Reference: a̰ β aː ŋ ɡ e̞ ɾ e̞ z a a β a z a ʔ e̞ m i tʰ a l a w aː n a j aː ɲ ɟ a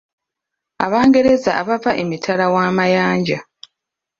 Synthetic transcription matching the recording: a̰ β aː ŋ ɡ e̞ ɾ e̞ z a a β a v a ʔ e̞ m i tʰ a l a w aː m a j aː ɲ ɟ a

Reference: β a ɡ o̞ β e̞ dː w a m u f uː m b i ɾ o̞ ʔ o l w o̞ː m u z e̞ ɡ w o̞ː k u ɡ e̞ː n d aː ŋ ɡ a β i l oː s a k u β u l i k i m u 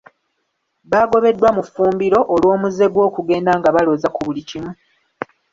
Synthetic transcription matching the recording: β a ɡ o̞ β e̞ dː w a m u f uː m b i ɾ o̞ ʔ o l w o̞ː m u z e̞ ɡ w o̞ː k u ɡ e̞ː n d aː ŋ ɡ a β a l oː z a k u β u l i c i m u

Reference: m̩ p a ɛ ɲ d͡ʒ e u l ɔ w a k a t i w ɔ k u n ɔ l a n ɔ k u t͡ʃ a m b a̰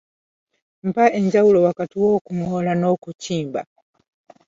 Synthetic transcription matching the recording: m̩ p a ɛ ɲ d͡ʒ a u l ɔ w a k a t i w ɔ k u ŋ ɔ l a n ɔ k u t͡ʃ i m b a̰

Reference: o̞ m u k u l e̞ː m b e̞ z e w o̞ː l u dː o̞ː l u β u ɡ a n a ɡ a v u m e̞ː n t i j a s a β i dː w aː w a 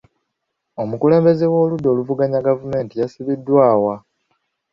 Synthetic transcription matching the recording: o̞ m u k u l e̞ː m b e̞ z e w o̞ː l u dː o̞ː l u v u ɡ a ɲ a ɡ a v u m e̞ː n t i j a s i β i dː w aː w a

